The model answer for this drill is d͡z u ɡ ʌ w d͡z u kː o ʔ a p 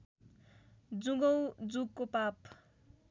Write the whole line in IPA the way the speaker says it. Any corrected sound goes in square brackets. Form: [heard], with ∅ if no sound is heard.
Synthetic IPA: d͡z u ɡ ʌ w d͡z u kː o [p] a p